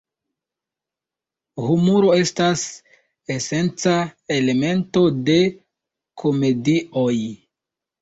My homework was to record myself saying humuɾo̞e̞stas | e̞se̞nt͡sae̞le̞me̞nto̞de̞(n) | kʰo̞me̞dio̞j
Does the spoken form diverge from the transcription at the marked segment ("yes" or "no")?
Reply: yes